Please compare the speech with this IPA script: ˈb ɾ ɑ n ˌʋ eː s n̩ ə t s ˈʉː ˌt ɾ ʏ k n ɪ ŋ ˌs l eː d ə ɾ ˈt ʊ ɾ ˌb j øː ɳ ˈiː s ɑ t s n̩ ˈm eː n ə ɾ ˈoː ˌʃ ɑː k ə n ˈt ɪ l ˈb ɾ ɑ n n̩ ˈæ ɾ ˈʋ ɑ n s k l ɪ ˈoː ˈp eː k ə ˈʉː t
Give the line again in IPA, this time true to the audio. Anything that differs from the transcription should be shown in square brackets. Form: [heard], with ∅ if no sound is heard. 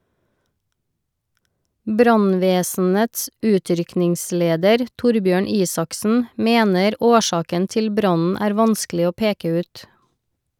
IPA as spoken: ˈb ɾ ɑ n ˌʋ eː s n̩ ə t s ˈʉː ˌt ɾ ʏ k n ɪ ŋ ˌs l eː d ə ɾ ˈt ʊ ɾ ˌb j øː ɳ ˈiː s ɑ [k] s n̩ ˈm eː n ə ɾ ˈoː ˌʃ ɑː k ə n ˈt ɪ l ˈb ɾ ɑ n n̩ [ˈæː] ɾ ˈʋ ɑ n s k l ɪ ˈoː ˈp eː k ə ˈʉː t